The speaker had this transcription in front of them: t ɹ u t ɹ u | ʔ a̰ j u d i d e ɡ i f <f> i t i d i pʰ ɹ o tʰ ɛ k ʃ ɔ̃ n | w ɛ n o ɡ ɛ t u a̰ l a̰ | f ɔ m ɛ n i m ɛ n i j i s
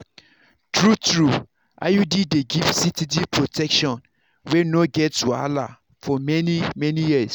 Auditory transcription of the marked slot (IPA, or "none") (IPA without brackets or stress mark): s